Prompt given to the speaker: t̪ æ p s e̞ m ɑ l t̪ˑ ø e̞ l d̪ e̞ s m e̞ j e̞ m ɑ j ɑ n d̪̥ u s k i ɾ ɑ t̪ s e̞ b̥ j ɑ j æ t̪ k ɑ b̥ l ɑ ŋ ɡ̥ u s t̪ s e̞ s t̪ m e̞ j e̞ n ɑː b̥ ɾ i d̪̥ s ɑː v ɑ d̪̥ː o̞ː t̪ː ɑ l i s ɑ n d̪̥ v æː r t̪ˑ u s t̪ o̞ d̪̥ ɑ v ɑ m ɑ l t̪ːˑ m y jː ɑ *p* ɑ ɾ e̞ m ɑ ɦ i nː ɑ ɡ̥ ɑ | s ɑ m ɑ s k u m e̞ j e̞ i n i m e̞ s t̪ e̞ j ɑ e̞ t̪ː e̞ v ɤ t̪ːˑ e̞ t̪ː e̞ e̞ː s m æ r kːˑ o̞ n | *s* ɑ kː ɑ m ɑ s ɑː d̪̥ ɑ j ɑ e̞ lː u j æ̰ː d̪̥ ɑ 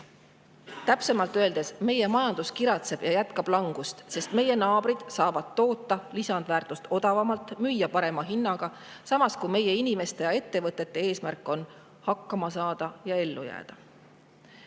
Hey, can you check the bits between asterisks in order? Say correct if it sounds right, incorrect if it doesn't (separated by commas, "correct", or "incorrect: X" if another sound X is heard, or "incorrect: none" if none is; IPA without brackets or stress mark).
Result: correct, incorrect: h